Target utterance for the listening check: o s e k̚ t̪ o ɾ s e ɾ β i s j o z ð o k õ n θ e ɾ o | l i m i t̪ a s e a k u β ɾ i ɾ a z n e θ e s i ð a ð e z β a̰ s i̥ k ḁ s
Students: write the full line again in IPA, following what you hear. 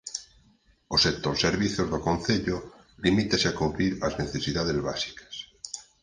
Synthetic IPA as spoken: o s e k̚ t̪ o ɾ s e ɾ β i θ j o z ð o k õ n θ e ʎ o | l i m i t̪ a s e a k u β ɾ i ɾ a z n e θ e s i ð a ð e z β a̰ s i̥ k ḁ s